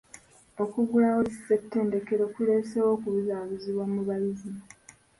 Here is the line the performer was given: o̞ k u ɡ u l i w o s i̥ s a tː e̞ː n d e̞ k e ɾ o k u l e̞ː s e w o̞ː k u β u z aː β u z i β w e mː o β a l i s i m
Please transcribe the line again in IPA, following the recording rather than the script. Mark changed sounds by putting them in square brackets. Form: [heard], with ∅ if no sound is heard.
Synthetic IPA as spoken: o̞ k u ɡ u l [a] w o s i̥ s [e] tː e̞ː n d e̞ k e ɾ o k u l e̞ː s e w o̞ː k u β u z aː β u z i β w [a] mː [u] β a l i [z] i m